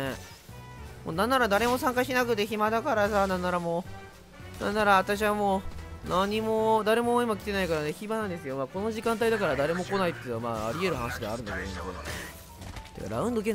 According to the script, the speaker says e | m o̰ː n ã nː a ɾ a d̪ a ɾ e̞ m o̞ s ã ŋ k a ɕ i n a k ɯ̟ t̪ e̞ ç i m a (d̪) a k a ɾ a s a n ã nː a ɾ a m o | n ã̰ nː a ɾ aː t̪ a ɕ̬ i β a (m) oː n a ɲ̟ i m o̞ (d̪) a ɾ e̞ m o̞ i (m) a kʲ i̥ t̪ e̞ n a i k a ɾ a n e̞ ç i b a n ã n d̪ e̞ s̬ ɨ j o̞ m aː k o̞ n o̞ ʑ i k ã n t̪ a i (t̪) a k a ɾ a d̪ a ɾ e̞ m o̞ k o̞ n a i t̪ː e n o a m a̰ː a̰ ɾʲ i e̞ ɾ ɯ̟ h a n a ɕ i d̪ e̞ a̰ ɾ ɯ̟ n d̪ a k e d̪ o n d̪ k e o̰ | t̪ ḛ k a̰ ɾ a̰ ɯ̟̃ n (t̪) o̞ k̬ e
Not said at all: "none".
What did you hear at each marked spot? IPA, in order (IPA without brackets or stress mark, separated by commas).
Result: d̪, m, d̪, m, d̪, d̪